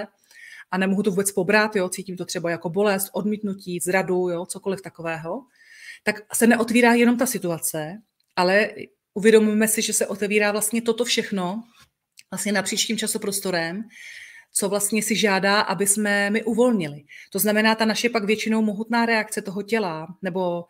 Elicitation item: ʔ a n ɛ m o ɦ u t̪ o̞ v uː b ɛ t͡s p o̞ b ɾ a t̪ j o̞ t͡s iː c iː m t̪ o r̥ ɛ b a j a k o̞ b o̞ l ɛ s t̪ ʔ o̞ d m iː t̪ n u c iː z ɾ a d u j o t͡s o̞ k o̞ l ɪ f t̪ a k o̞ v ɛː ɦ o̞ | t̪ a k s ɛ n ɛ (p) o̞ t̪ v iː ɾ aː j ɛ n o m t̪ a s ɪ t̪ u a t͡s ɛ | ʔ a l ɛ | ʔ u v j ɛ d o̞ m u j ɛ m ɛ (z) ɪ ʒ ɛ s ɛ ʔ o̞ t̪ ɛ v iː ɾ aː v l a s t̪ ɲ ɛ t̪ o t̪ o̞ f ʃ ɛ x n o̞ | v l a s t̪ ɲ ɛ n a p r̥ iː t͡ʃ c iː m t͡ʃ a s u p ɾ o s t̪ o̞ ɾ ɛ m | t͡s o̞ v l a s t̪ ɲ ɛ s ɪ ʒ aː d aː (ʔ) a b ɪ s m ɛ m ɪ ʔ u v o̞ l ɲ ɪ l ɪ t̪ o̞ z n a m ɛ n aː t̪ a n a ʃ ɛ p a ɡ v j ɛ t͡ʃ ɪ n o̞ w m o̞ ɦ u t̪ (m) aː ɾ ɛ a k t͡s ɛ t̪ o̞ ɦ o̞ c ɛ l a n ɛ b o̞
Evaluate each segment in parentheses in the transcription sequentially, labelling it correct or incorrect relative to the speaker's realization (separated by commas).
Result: incorrect, incorrect, correct, incorrect